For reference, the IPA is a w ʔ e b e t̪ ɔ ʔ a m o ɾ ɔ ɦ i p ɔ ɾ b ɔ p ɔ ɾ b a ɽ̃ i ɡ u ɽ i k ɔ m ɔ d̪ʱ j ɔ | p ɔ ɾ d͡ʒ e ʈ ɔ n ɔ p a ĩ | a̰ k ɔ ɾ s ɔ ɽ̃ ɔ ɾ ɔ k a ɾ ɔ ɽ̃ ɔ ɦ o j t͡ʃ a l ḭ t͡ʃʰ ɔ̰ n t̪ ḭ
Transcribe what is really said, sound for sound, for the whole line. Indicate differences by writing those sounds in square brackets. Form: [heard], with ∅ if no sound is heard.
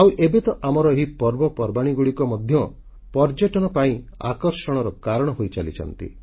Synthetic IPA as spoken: a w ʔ e b e t̪ ɔ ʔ a m [ɔ] ɾ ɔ ɦ i p ɔ ɾ b ɔ p ɔ ɾ b a ɽ̃ i ɡ u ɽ i k ɔ m ɔ d̪ʱ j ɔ | p ɔ ɾ d͡ʒ e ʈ ɔ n ɔ p a ĩ | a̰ k ɔ ɾ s ɔ ɽ̃ ɔ ɾ ɔ k a ɾ ɔ ɽ̃ ɔ ɦ o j t͡ʃ a l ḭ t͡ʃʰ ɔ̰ n t̪ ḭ

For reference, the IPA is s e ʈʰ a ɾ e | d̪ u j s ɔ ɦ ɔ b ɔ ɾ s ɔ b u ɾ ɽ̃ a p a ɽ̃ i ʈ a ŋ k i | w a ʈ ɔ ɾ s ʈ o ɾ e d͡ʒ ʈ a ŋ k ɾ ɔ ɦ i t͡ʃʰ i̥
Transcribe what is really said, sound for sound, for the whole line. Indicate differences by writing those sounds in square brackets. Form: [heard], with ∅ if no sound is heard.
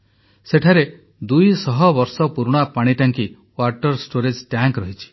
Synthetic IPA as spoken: s e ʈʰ a ɾ e | d̪ u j s ɔ ɦ ɔ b ɔ ɾ s ɔ [p] u ɾ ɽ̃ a p a ɽ̃ i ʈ a ŋ k i | w a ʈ ɔ ɾ s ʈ o ɾ e d͡ʒ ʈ a ŋ k ɾ ɔ ɦ i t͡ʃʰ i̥

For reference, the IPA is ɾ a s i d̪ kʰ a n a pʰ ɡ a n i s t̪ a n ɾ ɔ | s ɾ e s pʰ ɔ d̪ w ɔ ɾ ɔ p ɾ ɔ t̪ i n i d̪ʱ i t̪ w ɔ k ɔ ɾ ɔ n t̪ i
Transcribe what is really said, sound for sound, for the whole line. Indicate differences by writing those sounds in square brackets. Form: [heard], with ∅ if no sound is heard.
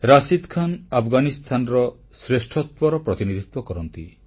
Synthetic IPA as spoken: ɾ a s i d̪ kʰ a n a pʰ ɡ a n i s [t̪ʰ] a n ɾ ɔ | s ɾ e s [ʈʰ] ɔ [t̪] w ɔ ɾ ɔ p ɾ ɔ t̪ i n i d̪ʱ i t̪ w ɔ k ɔ ɾ ɔ n t̪ i

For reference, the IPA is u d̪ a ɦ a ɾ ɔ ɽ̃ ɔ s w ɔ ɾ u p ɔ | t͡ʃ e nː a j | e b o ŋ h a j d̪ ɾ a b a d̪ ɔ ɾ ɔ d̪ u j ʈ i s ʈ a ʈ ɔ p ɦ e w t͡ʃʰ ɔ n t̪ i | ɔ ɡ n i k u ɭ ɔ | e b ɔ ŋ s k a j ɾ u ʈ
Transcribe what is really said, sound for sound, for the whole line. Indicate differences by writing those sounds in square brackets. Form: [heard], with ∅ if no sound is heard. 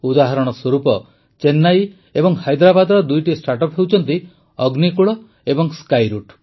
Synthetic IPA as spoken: u d̪ a ɦ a ɾ ɔ ɽ̃ ɔ s w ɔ ɾ u p ɔ | t͡ʃ e nː a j | e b [ɔ] ŋ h a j d̪ ɾ a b a d̪ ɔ ɾ ɔ d̪ u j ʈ i s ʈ a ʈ ɔ p ɦ e w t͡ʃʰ ɔ n t̪ i | ɔ ɡ n i k u ɭ ɔ | e b ɔ ŋ s k a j ɾ u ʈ

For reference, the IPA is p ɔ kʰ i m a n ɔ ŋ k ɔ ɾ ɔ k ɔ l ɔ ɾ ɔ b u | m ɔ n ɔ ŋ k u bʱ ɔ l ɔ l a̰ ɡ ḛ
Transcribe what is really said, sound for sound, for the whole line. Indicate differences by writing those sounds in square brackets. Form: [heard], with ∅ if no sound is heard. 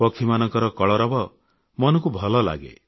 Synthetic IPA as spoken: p ɔ kʰ i m a n ɔ ŋ k ɔ ɾ ɔ k ɔ [ɭ] ɔ ɾ ɔ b [ɔ] | m ɔ n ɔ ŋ k u bʱ ɔ l ɔ l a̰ ɡ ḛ

